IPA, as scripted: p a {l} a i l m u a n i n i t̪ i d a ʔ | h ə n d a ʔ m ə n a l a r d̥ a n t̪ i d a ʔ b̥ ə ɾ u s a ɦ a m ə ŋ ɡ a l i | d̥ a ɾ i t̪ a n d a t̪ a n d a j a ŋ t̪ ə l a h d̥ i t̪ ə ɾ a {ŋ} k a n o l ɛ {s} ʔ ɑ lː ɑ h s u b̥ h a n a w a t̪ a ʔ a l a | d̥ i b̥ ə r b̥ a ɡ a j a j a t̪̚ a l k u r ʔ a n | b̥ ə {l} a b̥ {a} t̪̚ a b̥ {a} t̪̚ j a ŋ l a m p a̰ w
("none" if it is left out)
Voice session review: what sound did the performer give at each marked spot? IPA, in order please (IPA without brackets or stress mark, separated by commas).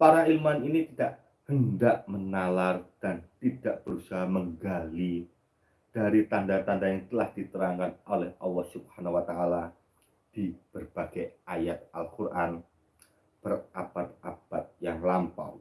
ɾ, ŋ, h, r, a, a